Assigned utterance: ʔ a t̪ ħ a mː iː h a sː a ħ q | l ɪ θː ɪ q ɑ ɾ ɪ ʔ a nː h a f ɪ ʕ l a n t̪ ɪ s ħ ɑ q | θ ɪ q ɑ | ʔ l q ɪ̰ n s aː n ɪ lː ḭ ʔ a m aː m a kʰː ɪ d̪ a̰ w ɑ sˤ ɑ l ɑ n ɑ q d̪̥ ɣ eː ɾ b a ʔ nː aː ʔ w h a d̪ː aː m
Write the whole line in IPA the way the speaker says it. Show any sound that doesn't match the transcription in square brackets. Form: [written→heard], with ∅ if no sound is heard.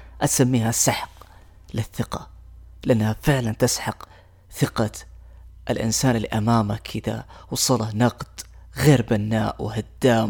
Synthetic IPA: ʔ a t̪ [ħ→s] a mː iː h a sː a ħ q | l ɪ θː ɪ q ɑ [ɾ→l] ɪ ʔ a nː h a f ɪ ʕ l a n t̪ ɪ s ħ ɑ q | θ ɪ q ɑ | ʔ l [q→ʔ] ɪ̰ n s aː n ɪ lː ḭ ʔ a m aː m a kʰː ɪ d̪ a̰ w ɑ sˤ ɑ l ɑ n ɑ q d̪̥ ɣ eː ɾ b a [ʔ→∅] nː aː ʔ w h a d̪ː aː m